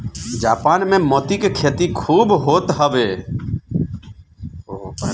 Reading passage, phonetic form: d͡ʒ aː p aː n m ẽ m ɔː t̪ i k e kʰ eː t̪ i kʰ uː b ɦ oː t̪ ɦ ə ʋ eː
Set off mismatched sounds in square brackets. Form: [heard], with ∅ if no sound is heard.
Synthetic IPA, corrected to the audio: d͡ʒ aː p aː n m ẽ m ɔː t̪ i k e kʰ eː t̪ i kʰ uː b ɦ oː t̪ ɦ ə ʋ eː